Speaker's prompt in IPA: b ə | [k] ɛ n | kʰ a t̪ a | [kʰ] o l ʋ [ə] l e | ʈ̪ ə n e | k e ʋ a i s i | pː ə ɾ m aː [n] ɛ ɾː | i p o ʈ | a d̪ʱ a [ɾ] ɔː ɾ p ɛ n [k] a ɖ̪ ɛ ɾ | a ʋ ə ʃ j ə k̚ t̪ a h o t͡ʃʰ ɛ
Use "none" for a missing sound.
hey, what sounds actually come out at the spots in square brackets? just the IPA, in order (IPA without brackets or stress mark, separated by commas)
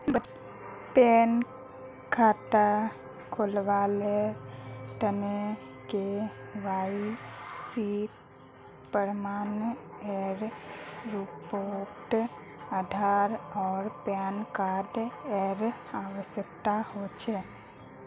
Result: p, kʰ, a, n, ɾ, k